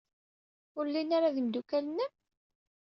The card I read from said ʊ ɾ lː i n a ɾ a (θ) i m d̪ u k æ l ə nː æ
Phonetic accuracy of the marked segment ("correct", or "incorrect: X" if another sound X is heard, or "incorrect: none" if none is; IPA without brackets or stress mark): incorrect: ð